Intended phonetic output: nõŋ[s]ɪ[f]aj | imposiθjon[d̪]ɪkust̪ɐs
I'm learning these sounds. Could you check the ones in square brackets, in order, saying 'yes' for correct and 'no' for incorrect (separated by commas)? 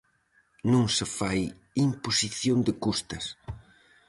yes, yes, yes